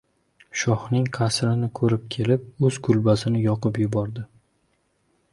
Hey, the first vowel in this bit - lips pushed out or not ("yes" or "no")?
yes